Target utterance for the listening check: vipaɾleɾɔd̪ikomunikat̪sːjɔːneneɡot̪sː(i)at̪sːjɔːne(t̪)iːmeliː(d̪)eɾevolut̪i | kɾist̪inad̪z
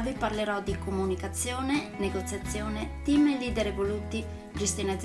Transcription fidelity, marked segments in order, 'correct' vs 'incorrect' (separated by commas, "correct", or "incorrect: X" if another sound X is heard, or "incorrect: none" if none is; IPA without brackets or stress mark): incorrect: j, correct, correct